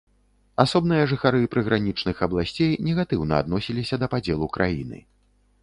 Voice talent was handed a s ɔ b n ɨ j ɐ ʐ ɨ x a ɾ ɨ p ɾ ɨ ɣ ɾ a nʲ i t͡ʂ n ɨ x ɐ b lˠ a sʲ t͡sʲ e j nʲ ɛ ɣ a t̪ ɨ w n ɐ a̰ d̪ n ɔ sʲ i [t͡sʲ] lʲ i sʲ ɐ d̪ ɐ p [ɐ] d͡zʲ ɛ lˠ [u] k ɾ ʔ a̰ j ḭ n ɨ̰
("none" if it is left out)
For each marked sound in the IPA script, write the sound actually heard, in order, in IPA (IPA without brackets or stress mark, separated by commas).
none, a, u